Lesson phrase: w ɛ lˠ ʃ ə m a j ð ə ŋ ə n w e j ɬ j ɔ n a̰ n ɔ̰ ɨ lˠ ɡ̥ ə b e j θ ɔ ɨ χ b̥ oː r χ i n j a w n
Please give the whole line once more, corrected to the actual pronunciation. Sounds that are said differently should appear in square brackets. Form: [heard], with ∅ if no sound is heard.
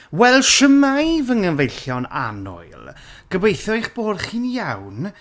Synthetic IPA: w ɛ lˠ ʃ ə m a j [v] ə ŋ ə n [v] e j ɬ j ɔ n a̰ n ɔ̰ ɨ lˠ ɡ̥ ə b e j θ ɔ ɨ χ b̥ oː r χ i n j a w n